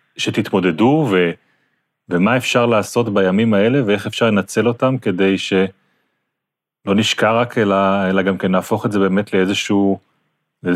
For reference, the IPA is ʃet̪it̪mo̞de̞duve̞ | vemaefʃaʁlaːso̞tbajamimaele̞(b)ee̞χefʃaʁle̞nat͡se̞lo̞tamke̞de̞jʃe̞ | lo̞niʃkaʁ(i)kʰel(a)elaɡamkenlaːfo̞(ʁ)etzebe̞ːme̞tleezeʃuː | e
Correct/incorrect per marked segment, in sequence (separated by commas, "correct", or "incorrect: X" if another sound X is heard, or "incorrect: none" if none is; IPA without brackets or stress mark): incorrect: v, incorrect: a, correct, incorrect: χ